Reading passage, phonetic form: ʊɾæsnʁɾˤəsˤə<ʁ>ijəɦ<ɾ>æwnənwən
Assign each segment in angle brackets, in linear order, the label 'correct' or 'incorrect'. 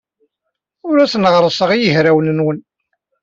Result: correct, correct

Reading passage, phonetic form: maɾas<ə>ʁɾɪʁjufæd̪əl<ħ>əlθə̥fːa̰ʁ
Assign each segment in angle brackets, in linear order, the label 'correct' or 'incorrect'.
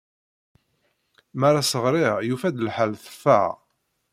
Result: correct, correct

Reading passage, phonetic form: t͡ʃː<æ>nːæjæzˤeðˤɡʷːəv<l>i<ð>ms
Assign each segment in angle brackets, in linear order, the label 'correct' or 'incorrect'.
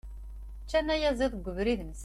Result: correct, incorrect: ɾ, correct

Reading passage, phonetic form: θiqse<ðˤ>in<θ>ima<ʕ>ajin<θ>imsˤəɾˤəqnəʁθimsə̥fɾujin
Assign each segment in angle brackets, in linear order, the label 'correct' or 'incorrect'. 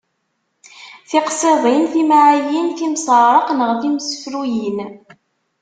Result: correct, correct, correct, correct

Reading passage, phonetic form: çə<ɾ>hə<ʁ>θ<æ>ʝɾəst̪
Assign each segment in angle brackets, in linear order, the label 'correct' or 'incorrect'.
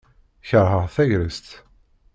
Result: correct, correct, correct

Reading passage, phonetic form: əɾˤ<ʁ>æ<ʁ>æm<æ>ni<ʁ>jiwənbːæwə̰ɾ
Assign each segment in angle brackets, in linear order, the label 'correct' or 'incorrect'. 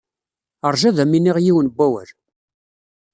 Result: incorrect: ʒ, incorrect: ð, incorrect: i, correct

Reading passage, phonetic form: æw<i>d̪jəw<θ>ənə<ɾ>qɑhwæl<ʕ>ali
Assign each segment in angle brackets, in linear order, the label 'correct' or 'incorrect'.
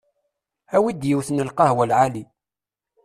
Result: correct, correct, incorrect: l, correct

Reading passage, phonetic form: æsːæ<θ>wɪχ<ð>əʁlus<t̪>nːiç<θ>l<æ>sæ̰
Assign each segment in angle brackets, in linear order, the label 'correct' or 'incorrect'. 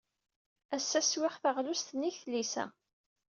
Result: incorrect: s, incorrect: θ, correct, correct, incorrect: i

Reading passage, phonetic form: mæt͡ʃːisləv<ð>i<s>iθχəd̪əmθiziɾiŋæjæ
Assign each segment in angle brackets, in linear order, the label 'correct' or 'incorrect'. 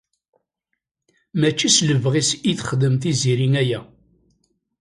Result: incorrect: ʁ, correct

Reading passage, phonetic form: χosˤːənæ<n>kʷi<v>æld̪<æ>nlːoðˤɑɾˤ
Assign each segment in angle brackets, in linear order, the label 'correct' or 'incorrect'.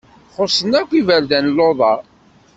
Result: incorrect: none, correct, correct

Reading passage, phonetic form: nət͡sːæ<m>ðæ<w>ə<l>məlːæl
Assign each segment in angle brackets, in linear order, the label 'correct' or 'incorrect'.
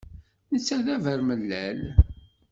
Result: incorrect: none, incorrect: v, incorrect: ɾ

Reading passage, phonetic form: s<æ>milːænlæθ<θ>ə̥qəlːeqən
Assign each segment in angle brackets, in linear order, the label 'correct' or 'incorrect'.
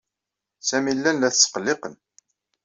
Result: correct, incorrect: s

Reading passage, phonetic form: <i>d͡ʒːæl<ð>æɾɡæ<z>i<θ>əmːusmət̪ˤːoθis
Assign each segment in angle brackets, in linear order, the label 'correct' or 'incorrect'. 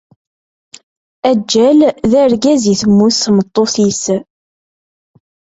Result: incorrect: æ, correct, correct, correct

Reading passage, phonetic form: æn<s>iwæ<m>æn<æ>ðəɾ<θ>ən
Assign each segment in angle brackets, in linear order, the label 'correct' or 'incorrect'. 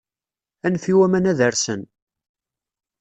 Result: incorrect: f, correct, correct, incorrect: s

